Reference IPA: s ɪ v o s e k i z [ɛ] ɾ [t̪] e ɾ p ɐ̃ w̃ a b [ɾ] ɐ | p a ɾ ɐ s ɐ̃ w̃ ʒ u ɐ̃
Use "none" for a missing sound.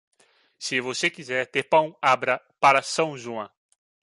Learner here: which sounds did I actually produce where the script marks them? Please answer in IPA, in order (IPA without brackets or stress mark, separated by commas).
ɛ, t̪, ɾ